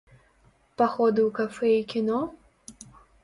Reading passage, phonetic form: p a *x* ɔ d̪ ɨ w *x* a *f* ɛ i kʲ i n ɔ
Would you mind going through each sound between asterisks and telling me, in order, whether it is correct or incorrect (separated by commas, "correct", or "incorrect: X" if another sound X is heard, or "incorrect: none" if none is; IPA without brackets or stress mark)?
correct, incorrect: k, correct